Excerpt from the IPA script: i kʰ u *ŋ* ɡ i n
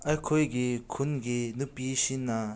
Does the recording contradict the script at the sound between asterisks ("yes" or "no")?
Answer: yes